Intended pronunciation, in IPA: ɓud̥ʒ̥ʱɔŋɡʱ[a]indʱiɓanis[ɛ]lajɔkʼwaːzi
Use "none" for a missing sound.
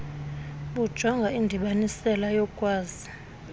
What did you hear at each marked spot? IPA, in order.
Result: a, ɛ

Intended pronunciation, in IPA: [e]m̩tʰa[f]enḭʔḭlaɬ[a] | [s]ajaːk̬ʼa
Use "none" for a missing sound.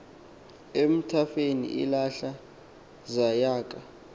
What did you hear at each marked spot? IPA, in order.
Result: e, f, a, z

